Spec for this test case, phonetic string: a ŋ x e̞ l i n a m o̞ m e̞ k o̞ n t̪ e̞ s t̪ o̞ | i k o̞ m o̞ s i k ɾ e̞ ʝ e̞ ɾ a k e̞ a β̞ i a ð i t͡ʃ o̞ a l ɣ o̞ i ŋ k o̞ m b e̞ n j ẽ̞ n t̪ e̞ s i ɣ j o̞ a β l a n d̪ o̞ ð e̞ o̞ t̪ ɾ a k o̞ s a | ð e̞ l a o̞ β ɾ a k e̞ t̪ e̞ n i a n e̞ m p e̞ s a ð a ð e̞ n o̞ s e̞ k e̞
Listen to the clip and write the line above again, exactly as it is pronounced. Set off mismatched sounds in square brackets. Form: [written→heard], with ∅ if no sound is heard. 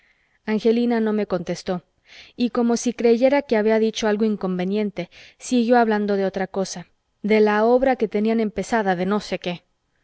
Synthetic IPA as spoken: a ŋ x e̞ l i n a [m→n] o̞ m e̞ k o̞ n t̪ e̞ s t̪ o̞ | i k o̞ m o̞ s i k ɾ e̞ ʝ e̞ ɾ a k e̞ a β̞ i a ð i t͡ʃ o̞ a l ɣ o̞ i ŋ k o̞ m b e̞ n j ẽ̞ n t̪ e̞ s i ɣ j o̞ a β l a n d̪ o̞ ð e̞ o̞ t̪ ɾ a k o̞ s a | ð e̞ l a o̞ β ɾ a k e̞ t̪ e̞ n i a n e̞ m p e̞ s a ð a ð e̞ n o̞ s e̞ k e̞